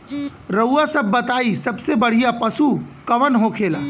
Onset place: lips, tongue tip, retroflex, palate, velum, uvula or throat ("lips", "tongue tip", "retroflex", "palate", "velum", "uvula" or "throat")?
tongue tip